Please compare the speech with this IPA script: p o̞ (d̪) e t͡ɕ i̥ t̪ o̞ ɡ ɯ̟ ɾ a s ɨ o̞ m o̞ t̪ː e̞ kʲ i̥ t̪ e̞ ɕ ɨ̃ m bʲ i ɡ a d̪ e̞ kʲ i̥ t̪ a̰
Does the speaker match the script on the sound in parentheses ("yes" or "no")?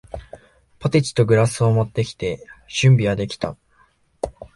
no